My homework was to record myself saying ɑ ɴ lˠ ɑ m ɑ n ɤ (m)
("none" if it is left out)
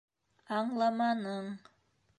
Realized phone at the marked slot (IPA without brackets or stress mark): ɴ